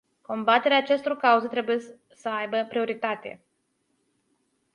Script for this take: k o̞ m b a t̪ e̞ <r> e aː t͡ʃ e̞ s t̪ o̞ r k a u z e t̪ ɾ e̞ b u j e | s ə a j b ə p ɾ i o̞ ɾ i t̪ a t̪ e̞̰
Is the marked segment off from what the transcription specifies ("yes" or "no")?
yes